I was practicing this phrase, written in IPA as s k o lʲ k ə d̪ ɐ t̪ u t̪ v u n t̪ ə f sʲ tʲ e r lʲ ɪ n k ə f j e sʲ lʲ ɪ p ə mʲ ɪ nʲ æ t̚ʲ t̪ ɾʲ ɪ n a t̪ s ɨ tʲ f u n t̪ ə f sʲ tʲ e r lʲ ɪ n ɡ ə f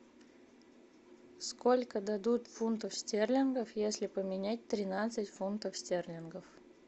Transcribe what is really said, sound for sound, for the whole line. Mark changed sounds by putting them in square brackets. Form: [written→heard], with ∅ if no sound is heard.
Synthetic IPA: s k o lʲ k ə d̪ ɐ [t̪→d̪] u t̪ [v→f] u n t̪ ə f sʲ tʲ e r lʲ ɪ n [k→ɡ] ə f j e sʲ lʲ ɪ p ə mʲ ɪ nʲ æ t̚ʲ t̪ ɾʲ ɪ n a t̪ s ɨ tʲ f u n t̪ ə f sʲ tʲ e r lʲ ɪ n ɡ ə f